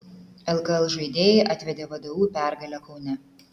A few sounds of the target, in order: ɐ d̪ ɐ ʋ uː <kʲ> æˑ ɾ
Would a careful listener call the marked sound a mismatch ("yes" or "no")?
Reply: yes